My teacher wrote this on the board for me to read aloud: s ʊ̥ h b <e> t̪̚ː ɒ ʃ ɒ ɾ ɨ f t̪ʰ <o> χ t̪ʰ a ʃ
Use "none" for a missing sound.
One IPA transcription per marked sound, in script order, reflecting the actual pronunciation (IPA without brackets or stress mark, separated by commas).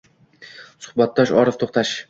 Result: a, o